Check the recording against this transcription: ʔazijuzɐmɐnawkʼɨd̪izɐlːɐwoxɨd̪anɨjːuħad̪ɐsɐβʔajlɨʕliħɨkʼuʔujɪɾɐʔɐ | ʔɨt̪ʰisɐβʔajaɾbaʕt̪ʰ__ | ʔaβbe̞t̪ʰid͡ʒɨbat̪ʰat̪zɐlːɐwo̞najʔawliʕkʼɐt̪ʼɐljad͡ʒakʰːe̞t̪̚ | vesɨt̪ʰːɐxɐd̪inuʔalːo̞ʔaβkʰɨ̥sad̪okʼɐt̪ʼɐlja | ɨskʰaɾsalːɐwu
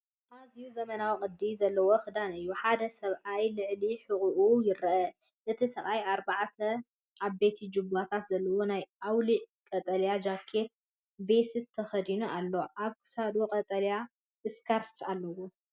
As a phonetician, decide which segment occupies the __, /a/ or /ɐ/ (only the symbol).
ɐ